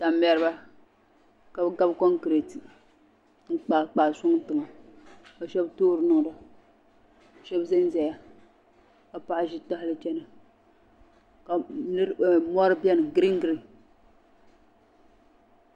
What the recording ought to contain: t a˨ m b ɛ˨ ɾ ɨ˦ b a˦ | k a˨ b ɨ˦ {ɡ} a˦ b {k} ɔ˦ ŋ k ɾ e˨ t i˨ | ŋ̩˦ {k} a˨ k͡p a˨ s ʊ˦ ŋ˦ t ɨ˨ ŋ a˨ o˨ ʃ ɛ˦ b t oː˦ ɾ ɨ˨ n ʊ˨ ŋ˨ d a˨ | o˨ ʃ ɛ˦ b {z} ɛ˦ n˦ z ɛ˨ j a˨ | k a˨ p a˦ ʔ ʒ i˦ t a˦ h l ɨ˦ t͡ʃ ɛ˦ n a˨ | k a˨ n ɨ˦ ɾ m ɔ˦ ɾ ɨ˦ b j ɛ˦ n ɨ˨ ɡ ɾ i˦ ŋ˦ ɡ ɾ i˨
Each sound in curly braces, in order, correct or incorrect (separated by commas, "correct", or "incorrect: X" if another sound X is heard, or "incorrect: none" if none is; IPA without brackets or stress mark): correct, correct, incorrect: k͡p, correct